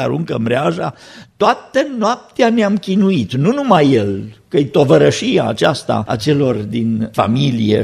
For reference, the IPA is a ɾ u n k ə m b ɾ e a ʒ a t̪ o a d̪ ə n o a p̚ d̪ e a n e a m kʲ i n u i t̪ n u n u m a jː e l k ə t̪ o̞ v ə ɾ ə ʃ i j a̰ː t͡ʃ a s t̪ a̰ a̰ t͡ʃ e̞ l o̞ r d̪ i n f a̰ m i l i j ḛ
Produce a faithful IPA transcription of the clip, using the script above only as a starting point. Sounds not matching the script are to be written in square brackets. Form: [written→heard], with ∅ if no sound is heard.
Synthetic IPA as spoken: a ɾ u [n→ŋ] k ə m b ɾ e a ʒ a t̪ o a [d̪→t̪] ə n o a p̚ [d̪→t̪] e a n e a m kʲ i n u i t̪ n u n u m a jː e l k ə t̪ o̞ v ə ɾ ə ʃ i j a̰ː t͡ʃ a s t̪ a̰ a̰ t͡ʃ e̞ l o̞ r d̪ i n f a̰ m i l i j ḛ